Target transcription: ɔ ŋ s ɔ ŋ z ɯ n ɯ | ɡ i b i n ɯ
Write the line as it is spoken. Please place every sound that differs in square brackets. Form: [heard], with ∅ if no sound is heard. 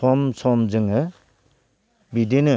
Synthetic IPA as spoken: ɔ [m] s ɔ [m] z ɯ [ŋ] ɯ | [b] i [d] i n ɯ